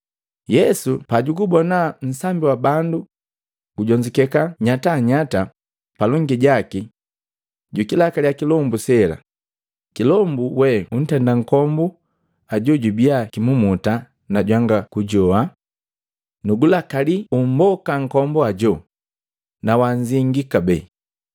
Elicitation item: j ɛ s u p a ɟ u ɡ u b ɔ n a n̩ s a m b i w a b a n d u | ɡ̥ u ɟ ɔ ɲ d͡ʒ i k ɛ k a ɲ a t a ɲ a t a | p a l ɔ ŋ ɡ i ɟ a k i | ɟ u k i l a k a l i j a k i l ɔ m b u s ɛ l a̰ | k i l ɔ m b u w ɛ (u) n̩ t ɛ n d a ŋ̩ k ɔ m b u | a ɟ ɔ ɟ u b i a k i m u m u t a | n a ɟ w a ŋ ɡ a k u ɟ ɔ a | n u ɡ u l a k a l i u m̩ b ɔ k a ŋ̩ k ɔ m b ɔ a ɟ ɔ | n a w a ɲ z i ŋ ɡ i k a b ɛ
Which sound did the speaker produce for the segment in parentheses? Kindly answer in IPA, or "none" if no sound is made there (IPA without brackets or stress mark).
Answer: u